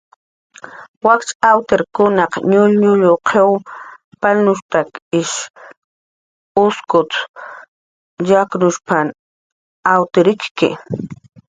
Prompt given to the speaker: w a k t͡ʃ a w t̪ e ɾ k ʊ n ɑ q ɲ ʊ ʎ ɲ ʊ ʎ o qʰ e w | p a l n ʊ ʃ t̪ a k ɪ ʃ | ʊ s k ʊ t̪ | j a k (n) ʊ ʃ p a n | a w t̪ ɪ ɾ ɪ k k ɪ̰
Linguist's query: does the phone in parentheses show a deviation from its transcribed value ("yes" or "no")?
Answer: no